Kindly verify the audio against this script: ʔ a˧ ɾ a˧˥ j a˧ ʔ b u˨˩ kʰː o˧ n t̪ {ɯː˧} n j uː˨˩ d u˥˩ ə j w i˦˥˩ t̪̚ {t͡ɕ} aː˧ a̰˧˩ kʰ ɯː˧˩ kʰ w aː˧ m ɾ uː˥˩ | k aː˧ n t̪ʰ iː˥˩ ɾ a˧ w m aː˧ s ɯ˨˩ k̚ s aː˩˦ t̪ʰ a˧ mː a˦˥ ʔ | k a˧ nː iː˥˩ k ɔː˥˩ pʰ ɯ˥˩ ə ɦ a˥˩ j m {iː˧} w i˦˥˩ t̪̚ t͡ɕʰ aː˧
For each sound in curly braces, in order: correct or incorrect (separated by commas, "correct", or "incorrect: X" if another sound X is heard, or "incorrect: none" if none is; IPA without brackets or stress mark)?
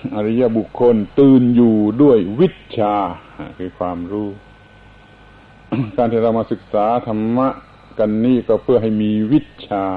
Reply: correct, incorrect: t͡ɕʰ, correct